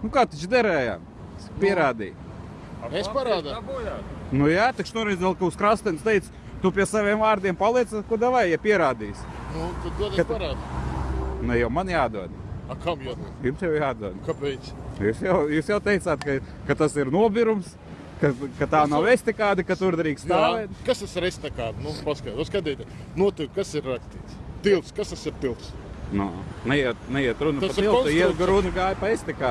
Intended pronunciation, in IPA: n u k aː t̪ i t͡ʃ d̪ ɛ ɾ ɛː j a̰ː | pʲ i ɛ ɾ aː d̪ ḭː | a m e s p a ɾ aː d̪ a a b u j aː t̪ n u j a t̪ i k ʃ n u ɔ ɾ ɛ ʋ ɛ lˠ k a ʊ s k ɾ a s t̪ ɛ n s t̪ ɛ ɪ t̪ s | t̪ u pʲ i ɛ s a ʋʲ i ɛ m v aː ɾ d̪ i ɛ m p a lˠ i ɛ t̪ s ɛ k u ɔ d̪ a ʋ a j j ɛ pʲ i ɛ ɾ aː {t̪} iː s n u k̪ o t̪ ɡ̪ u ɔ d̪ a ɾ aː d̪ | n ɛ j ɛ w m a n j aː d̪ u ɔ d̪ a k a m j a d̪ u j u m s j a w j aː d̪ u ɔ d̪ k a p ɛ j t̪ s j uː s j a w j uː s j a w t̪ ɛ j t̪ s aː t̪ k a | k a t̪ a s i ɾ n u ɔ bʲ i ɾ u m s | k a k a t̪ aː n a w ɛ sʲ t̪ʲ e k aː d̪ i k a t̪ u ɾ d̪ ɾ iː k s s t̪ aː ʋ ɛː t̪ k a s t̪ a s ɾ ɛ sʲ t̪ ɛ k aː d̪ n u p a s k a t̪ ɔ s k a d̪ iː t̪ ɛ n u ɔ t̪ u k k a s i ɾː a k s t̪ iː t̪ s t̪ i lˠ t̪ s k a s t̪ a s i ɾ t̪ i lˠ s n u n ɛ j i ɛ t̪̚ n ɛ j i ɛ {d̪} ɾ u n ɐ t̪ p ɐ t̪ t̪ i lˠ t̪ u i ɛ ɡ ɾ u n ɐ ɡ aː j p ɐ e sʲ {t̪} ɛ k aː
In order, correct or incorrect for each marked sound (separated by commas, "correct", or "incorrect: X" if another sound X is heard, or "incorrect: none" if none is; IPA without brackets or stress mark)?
incorrect: d̪, incorrect: t̪, correct